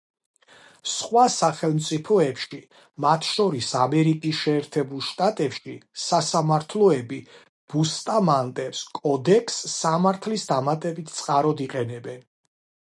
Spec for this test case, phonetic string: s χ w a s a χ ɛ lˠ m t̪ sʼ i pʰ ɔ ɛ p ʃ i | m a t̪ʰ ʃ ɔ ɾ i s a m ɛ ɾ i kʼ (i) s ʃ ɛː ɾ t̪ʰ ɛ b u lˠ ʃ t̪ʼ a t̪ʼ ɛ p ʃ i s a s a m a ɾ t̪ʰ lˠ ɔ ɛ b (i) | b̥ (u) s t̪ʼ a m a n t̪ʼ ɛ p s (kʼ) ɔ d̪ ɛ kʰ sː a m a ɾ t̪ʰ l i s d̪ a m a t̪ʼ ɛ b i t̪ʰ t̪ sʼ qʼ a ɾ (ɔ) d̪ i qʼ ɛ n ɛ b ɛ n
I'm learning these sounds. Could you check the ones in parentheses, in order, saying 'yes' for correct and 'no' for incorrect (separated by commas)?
yes, yes, yes, yes, yes